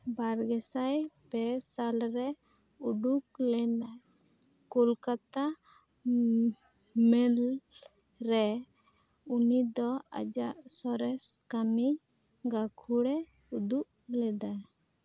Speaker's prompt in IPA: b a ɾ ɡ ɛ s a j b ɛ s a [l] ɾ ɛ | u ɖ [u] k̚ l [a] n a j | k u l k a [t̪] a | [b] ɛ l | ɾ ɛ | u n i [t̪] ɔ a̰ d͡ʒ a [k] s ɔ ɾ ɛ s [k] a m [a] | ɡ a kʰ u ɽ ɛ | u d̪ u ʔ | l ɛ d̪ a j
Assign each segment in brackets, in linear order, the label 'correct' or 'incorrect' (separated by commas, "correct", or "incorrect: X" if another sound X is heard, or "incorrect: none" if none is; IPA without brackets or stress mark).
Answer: correct, correct, incorrect: ɛ, correct, incorrect: m, incorrect: d̪, incorrect: ʔ, correct, incorrect: i